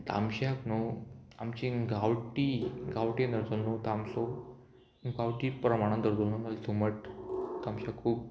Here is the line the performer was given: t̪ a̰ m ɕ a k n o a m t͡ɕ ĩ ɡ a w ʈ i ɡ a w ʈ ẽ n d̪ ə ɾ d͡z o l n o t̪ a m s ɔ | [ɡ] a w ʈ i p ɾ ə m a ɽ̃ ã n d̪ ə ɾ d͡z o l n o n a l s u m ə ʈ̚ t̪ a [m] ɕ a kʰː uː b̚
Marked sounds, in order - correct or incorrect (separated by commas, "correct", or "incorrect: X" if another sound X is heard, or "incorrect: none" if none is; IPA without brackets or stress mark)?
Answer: correct, correct